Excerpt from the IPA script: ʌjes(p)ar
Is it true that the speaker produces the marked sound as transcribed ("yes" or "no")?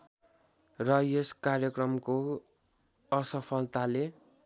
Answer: no